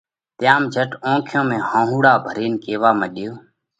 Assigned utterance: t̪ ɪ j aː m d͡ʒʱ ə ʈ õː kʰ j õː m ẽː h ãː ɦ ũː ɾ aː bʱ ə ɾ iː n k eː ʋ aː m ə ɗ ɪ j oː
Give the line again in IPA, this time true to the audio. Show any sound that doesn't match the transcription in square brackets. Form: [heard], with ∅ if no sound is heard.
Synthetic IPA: t̪ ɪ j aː m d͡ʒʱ ə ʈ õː kʰ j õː m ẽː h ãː ɦ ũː [ɽ] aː bʱ ə ɾ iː n k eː ʋ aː m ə ɗ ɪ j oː

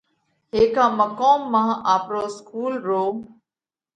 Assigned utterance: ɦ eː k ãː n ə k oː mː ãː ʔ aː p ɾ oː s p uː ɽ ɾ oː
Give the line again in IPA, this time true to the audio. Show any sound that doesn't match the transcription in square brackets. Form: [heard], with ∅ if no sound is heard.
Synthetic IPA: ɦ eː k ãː [m] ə k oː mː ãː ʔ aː p ɾ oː s [k] uː [l] ɾ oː

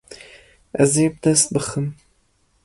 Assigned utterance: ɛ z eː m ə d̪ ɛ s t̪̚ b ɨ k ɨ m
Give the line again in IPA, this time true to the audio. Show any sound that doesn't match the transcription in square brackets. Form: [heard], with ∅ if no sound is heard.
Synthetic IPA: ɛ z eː [b] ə d̪ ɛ s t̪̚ b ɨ [x] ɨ m

